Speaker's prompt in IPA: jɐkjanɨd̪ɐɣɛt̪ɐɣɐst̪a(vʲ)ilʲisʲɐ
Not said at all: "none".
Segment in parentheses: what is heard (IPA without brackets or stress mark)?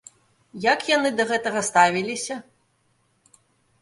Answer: vʲ